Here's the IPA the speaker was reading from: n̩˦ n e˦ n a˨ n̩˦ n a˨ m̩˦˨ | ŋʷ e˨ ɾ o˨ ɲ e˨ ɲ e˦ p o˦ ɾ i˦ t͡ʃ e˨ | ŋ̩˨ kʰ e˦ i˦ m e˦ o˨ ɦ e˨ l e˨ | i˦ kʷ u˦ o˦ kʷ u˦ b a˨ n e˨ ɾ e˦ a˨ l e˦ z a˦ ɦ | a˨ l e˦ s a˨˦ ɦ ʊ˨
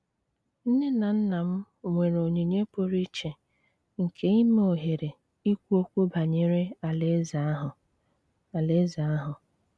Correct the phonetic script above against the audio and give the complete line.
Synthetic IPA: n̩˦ n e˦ n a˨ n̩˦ n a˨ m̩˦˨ | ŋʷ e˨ ɾ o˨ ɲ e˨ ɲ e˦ p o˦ ɾ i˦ t͡ʃ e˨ | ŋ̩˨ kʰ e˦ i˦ m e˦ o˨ ɦ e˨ ɾ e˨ | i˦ kʷ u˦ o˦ kʷ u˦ b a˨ ɲ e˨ ɾ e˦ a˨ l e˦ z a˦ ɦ | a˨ l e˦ z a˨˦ ɦ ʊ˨

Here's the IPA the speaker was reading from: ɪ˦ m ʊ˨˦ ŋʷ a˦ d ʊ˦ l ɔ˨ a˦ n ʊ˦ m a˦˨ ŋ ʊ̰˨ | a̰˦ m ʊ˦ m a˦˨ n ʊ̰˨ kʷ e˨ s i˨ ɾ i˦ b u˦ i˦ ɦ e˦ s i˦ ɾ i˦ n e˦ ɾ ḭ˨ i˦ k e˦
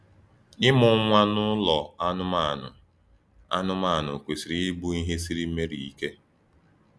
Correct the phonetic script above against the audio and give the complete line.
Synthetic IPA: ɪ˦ m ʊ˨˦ ŋʷ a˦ n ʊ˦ l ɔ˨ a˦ n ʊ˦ m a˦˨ n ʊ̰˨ | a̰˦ n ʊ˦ m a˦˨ n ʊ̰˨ kʷ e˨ s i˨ ɾ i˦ b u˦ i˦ ɦ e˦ s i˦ ɾ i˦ m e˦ ɾ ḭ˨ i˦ k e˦

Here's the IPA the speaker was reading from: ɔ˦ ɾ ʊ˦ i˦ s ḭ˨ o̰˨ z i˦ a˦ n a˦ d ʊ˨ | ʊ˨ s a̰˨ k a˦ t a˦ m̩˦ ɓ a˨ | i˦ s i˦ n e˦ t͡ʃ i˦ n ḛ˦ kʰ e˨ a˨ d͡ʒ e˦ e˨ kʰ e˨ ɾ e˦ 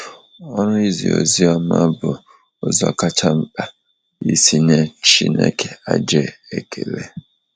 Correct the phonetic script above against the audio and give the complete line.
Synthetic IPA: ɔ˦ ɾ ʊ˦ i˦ z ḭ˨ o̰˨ z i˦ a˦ m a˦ b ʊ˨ | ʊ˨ z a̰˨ k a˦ t͡ʃ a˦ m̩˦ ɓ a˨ | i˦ s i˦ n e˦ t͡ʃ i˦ n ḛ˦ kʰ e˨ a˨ d͡ʒ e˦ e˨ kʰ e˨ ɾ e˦

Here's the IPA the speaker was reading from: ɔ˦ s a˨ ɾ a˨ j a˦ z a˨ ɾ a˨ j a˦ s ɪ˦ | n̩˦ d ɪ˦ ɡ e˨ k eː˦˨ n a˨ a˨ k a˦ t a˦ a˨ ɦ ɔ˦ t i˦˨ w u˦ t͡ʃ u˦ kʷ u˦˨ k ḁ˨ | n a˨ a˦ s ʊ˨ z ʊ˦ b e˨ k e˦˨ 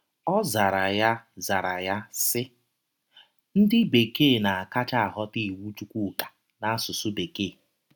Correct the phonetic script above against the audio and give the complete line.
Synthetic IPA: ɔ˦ z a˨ ɾ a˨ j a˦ z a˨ ɾ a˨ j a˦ s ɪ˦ | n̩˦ d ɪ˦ b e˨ k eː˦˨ n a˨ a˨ k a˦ t͡ʃ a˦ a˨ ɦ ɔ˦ t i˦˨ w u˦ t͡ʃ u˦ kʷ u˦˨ k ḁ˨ | n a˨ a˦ s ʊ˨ s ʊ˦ b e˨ k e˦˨

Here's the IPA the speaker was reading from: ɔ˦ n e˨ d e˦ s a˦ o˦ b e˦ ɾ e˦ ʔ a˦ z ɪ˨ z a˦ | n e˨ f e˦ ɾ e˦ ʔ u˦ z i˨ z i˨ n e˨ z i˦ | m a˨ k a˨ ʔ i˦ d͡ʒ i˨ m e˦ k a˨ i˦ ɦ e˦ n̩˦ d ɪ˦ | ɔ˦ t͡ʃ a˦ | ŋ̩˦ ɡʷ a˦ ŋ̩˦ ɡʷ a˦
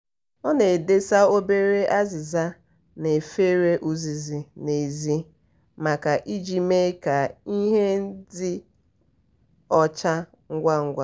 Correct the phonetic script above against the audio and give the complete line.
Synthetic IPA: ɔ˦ n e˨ d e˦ s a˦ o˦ b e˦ ɾ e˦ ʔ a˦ z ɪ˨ z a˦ | n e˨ f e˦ ɾ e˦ ʔ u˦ z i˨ z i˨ n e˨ z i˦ | m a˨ k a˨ ʔ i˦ d͡ʒ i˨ m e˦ k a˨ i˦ ɦ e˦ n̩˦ d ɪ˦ | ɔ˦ t͡ʃ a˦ | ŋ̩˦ ɡʷ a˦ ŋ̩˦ ɡʷ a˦

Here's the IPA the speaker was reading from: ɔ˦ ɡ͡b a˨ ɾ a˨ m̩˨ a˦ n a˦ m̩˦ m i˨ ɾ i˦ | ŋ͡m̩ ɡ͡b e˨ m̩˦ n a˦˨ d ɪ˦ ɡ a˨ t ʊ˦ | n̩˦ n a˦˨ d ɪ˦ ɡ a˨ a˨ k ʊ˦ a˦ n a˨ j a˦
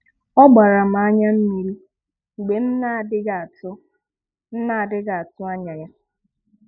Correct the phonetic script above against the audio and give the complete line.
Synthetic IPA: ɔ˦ ɡ͡b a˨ ɾ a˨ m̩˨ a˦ ɲ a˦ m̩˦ m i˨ ɾ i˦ | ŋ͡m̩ ɡ͡b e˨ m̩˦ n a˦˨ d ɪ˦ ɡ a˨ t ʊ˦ | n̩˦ n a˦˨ d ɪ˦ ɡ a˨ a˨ t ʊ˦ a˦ ɲ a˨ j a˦

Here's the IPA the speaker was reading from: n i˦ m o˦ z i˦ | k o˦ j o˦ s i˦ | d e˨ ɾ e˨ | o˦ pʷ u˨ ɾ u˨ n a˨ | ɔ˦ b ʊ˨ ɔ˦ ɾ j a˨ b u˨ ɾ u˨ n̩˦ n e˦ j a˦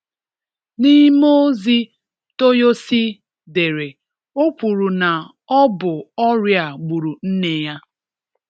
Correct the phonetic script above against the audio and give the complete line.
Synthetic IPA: n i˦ m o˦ z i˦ | t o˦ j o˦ s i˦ | d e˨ ɾ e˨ | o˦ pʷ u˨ ɾ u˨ n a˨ | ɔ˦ b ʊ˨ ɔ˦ ɾ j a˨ ɡ͡b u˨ ɾ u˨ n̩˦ n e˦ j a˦

